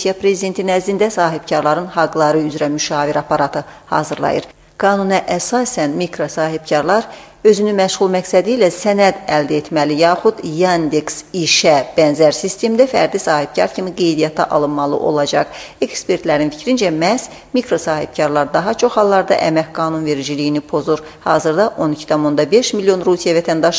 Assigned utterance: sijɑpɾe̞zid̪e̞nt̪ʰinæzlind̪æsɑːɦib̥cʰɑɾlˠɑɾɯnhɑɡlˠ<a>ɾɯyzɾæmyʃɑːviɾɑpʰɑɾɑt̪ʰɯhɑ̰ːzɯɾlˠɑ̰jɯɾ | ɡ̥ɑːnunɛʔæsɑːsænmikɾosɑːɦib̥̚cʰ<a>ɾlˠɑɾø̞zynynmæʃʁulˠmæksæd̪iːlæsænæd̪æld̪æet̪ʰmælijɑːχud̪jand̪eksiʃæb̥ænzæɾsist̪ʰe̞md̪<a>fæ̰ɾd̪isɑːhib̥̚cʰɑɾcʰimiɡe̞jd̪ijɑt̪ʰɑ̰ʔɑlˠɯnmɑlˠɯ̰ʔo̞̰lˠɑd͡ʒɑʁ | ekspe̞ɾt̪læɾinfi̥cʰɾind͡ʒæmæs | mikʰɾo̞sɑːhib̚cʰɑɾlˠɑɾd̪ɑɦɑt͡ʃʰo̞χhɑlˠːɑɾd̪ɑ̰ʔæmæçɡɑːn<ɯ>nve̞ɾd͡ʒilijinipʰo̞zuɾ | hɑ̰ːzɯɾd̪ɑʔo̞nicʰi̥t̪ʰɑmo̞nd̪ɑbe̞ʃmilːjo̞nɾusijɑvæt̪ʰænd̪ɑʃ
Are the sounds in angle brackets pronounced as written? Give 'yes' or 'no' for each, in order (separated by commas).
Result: no, no, no, no